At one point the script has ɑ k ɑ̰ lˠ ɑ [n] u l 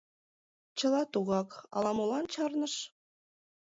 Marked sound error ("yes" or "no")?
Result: yes